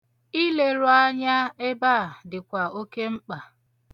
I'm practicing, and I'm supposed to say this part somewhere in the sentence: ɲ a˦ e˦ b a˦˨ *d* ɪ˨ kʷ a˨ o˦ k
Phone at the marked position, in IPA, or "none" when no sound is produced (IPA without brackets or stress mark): d